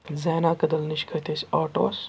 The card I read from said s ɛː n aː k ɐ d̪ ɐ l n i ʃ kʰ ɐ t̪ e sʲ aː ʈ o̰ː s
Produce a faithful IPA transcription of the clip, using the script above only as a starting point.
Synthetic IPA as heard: z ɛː n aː k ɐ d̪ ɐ l n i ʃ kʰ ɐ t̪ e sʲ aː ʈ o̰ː s